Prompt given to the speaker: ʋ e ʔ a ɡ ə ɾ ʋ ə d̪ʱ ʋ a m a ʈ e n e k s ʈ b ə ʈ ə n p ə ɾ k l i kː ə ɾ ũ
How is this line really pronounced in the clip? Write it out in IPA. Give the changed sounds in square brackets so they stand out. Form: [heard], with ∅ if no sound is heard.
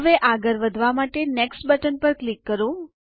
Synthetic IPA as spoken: ʋ e ʔ a ɡ ə ɾ ʋ ə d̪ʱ ʋ a m a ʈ e n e k s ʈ b ə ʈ ə n p ə ɾ k l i kː ə ɾ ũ